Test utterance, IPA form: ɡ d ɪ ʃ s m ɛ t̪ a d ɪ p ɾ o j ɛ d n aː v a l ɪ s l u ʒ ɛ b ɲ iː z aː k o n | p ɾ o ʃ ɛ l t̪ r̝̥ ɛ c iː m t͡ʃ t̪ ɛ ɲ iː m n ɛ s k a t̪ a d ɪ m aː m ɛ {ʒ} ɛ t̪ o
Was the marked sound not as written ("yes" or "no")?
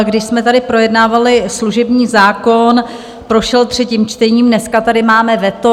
yes